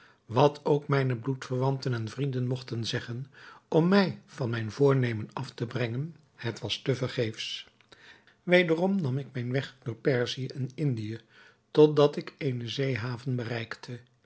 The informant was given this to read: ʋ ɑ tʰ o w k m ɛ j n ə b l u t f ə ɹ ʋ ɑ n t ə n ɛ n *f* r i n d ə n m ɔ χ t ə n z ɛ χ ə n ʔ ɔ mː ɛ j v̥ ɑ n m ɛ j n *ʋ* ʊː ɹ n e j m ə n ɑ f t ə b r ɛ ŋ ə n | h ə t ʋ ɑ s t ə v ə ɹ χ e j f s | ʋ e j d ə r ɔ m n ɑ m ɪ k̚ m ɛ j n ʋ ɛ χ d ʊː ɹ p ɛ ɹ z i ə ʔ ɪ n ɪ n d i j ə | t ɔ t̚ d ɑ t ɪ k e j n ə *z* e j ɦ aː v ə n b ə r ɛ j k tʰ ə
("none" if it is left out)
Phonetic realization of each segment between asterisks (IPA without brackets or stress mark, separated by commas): v, v, z